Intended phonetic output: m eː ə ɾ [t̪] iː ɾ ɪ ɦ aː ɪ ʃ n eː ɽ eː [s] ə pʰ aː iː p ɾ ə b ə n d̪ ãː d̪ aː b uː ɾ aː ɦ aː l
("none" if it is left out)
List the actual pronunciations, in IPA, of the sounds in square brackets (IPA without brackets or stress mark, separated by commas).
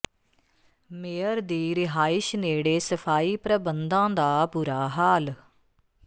d̪, s